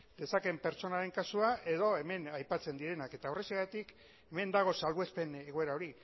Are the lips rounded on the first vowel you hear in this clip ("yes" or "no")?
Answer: no